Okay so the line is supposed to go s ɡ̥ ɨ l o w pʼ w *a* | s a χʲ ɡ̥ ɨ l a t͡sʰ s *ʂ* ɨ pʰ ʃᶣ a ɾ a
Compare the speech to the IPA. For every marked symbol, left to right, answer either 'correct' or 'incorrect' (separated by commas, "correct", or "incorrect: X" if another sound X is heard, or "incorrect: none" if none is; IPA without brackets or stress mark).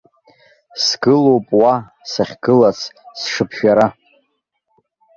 correct, correct